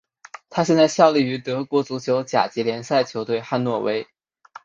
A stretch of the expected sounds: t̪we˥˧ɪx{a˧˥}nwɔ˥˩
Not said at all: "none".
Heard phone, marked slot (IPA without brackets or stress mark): a˥˧